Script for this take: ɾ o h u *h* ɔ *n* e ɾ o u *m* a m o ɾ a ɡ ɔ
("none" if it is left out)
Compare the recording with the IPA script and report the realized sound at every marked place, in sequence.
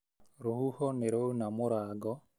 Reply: h, n, n

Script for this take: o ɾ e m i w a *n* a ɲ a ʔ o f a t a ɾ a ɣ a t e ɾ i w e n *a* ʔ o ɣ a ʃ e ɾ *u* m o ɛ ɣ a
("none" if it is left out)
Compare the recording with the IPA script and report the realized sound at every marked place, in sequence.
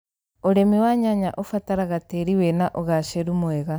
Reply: ɲ, a, u

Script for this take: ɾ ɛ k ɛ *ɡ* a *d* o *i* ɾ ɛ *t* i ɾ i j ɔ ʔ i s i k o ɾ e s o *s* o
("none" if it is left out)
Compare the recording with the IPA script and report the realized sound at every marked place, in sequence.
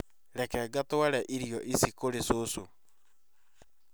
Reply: ɡ, t, a, ʔ, s

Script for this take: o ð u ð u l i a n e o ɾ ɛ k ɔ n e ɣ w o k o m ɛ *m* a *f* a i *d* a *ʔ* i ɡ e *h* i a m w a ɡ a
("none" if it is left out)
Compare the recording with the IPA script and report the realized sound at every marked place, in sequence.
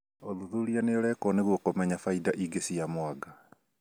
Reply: ɲ, f, d, ʔ, s

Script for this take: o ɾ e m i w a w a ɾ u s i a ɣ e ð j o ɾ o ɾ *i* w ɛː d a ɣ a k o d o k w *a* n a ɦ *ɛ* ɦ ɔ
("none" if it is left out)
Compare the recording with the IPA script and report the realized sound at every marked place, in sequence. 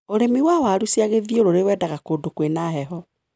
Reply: e, e, ɛ

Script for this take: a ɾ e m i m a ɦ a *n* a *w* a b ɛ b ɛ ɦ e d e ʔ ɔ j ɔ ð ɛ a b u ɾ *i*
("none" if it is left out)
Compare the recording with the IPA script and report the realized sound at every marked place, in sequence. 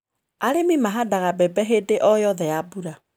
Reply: d, ɣ, a

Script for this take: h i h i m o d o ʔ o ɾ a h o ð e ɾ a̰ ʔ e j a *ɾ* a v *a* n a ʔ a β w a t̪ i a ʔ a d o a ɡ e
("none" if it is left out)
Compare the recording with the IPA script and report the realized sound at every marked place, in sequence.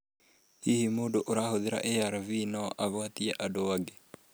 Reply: ɾ, i

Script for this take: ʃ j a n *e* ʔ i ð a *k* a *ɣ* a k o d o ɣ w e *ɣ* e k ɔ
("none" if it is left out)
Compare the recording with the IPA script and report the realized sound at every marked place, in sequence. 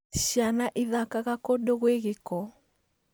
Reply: a, k, ɣ, ɣ

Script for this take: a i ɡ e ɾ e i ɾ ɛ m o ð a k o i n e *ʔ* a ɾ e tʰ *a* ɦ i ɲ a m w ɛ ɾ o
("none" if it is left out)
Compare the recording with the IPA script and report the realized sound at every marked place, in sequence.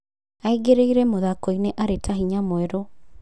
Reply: ʔ, a

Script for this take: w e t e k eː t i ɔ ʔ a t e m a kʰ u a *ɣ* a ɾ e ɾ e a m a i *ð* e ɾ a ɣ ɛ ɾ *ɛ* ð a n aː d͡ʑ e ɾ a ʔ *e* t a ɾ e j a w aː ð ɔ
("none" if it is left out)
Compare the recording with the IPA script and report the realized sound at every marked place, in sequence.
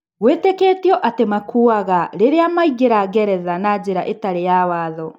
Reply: ɣ, ɣ, ɛ, e

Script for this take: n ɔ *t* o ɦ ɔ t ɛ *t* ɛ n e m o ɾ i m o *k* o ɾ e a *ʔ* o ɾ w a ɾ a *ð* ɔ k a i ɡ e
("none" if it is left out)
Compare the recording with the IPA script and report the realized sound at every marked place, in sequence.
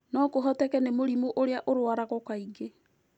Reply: k, k, ʔ, ʔ, ɣ

